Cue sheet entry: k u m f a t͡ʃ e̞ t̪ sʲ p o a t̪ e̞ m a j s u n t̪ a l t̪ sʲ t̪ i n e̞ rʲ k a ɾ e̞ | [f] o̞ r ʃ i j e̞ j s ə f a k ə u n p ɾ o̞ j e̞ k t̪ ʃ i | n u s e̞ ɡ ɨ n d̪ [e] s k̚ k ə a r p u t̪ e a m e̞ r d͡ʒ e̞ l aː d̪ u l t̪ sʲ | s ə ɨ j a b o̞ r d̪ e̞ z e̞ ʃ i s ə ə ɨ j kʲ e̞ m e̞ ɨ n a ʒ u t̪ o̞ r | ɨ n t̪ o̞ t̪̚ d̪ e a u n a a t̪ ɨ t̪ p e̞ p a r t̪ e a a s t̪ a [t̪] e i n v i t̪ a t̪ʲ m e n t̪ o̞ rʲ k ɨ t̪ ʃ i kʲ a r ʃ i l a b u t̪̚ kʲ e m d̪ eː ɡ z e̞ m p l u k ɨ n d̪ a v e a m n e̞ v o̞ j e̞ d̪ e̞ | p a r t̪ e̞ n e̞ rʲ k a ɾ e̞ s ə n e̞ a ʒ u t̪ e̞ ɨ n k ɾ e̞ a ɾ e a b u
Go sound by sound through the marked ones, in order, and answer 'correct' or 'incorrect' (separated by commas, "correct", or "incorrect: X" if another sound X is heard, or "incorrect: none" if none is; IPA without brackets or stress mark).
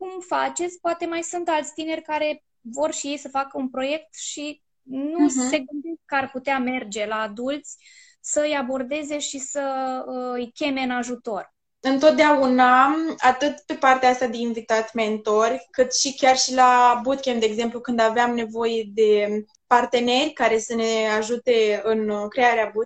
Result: incorrect: v, correct, incorrect: d̪